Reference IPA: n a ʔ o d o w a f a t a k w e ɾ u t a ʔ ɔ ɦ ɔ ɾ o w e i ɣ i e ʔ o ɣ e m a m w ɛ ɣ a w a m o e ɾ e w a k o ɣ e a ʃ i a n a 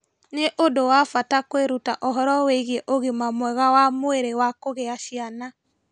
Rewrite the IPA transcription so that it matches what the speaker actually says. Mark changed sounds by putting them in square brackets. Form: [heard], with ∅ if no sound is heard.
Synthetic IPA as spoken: n [e] ʔ o d o w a f a t a k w e ɾ u t a ʔ ɔ ɦ ɔ ɾ [ɔ] w e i ɣ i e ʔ o ɣ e m a m w ɛ ɣ a w a m o e ɾ e w a k o ɣ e a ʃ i a n a